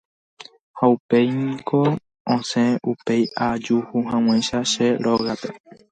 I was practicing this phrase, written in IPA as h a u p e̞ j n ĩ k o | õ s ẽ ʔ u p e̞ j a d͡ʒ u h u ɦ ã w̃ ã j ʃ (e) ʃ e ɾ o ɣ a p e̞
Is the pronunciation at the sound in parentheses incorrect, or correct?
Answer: incorrect: a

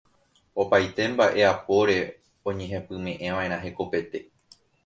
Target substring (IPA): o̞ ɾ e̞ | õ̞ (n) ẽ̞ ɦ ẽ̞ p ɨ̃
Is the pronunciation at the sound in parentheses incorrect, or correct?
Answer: incorrect: ɲ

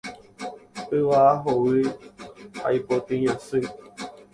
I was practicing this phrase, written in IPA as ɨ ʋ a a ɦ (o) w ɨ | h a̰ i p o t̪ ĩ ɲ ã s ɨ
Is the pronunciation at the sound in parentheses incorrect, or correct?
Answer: correct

